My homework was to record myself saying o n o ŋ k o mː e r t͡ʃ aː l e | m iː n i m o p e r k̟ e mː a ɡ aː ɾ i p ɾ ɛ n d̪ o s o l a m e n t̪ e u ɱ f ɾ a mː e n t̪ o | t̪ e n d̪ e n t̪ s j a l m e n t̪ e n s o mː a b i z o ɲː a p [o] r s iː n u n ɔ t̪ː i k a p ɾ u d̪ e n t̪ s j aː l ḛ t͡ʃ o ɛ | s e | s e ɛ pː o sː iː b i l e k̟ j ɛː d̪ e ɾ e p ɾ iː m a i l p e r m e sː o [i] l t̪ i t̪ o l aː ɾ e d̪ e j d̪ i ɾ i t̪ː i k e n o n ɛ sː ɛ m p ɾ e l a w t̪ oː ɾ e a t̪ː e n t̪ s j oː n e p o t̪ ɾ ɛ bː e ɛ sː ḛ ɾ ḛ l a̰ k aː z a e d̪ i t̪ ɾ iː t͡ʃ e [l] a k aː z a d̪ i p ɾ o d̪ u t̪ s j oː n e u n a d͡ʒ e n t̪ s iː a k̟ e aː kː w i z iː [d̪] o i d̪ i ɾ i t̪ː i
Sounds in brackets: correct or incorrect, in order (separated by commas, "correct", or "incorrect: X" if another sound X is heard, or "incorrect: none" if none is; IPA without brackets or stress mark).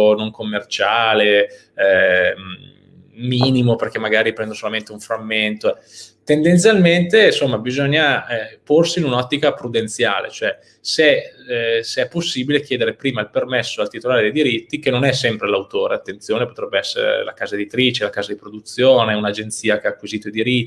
correct, incorrect: a, correct, incorrect: t̪